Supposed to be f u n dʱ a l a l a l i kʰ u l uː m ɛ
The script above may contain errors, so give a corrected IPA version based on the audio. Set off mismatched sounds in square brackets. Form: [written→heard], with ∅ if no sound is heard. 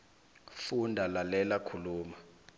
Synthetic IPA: f u n dʱ a l a l [a→ɛ] l [i→a] kʰ u l uː m [ɛ→a]